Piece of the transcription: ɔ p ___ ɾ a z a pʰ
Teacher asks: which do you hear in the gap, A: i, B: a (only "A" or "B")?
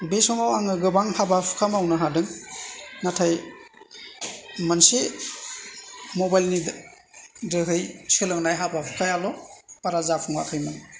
B